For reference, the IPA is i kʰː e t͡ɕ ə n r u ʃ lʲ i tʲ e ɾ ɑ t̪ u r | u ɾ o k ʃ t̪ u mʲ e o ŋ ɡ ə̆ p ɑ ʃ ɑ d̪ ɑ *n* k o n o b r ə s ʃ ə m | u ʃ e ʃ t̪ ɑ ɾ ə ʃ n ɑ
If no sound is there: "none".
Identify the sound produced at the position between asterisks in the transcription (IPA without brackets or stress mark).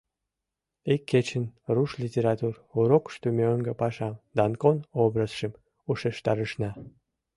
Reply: n